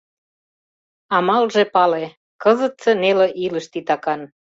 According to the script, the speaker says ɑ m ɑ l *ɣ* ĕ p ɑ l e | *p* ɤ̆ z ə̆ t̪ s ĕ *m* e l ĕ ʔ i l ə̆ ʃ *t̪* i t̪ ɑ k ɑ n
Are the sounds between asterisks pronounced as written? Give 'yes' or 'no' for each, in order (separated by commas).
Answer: no, no, no, yes